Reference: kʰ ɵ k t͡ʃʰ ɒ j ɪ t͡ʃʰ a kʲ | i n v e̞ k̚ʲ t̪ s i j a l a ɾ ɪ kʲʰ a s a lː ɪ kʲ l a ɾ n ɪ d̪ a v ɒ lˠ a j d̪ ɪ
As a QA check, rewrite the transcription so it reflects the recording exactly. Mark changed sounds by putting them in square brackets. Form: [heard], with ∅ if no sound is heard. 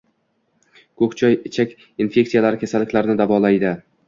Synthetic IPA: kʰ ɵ k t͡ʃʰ ɒ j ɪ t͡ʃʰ a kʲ | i n [f] e̞ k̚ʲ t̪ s i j a l a ɾ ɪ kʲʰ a s a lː ɪ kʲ l a ɾ n ɪ d̪ a v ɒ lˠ a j d̪ ɪ